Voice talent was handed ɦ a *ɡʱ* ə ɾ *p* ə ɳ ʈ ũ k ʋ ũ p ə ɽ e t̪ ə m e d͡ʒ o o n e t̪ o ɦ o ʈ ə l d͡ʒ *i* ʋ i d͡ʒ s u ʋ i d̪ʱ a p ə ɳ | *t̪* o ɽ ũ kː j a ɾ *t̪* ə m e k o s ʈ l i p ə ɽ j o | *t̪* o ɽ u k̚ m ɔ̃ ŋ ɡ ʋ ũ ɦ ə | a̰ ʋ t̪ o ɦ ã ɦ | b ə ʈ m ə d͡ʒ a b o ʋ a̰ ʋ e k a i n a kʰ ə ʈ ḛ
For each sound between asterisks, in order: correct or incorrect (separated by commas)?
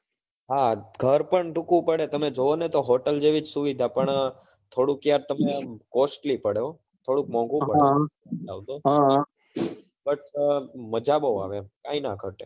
correct, correct, incorrect, incorrect, correct, incorrect